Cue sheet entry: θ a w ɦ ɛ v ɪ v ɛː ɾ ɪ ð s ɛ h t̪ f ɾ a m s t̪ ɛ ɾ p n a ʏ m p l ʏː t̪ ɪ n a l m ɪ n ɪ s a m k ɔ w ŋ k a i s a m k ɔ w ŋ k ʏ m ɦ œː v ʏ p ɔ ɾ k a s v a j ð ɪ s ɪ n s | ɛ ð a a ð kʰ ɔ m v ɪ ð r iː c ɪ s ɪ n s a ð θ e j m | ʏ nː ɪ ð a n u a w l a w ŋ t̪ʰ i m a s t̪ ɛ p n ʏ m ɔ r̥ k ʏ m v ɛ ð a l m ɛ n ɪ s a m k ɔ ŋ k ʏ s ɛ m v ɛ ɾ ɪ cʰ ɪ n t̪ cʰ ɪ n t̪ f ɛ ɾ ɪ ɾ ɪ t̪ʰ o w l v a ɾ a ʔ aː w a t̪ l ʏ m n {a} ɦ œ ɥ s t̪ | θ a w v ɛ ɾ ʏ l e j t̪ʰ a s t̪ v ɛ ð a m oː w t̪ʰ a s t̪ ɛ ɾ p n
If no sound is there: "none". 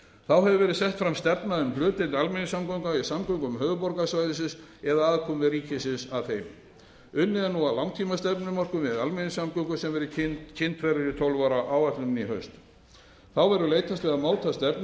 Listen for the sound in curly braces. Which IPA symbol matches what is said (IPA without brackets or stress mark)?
i